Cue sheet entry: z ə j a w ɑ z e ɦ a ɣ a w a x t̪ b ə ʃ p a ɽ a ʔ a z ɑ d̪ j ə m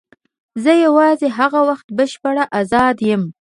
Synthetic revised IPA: z ə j a w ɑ z e ɦ a ɣ a w a x t̪ b ə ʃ p a ɽ a ʔ a z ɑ d̪ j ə m